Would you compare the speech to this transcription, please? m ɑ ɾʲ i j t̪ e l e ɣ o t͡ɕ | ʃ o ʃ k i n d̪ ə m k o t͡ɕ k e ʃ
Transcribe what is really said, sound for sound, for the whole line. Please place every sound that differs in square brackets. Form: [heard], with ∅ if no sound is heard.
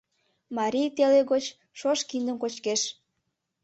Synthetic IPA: m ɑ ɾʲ i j t̪ e l e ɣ o t͡ɕ | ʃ o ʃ k i n d̪ ə m k o t͡ɕ k e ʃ